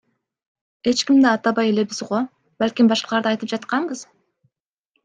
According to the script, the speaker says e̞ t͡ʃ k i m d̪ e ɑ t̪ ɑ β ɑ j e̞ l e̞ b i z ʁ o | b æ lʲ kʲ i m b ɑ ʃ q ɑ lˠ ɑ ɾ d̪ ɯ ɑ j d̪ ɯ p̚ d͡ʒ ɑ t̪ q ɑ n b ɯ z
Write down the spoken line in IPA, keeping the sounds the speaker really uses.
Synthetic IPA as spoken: e̞ t͡ʃ k i m d̪ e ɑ t̪ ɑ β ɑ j e̞ l e̞ b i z ʁ o | b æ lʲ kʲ i m b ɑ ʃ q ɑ lˠ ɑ ɾ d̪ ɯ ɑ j t̪ ɯ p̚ d͡ʒ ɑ t̪ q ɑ ɴ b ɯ z